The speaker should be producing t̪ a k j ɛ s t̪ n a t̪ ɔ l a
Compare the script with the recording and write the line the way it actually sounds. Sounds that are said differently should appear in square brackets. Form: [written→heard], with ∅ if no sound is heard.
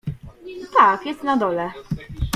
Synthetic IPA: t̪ a k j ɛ s t̪ n a [t̪→d̪] ɔ l [a→ɛ]